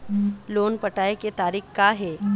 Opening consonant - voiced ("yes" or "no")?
yes